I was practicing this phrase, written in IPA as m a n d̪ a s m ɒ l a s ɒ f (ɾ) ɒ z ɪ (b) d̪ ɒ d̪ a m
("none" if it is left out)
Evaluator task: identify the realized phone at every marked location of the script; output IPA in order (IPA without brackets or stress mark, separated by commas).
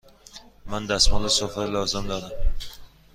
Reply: l, m